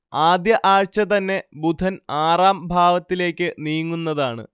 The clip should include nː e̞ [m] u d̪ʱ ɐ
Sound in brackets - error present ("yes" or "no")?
yes